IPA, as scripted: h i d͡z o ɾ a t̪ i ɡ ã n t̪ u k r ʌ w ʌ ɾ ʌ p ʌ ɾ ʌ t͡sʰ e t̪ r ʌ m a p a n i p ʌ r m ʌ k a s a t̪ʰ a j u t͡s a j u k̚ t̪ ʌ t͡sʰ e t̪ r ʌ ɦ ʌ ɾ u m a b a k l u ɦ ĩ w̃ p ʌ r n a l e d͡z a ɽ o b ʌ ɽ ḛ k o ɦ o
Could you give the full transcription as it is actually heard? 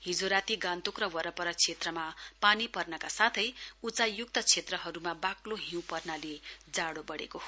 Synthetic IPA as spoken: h i d͡z o ɾ a t̪ i ɡ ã n t̪ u k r ʌ w ʌ ɾ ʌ p ʌ ɾ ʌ t͡sʰ e t̪ r ʌ m a p a n i p ʌ r n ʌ k a s a t̪ʰ ʌ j u t͡s a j u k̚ t̪ ʌ t͡sʰ e t̪ r ʌ ɦ ʌ ɾ u m a b a k l o ɦ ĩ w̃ p ʌ r n a l e d͡z a ɽ o b ʌ ɽ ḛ k o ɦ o